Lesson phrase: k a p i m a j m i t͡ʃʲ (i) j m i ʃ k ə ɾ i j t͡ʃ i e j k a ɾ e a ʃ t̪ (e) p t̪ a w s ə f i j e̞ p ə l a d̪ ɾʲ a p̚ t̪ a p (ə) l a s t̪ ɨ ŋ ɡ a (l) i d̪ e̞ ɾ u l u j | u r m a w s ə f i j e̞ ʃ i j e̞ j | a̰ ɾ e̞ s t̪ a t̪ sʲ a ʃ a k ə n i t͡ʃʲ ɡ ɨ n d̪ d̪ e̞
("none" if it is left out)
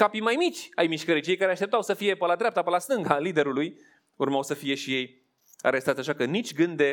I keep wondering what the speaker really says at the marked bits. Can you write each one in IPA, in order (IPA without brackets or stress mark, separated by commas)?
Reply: a, e, ə, l